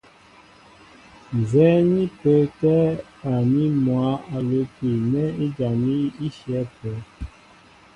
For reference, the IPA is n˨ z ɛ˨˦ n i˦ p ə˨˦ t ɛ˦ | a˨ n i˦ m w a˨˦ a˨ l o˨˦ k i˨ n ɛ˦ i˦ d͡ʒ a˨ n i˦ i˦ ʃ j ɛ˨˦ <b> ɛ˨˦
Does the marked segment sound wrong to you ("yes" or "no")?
yes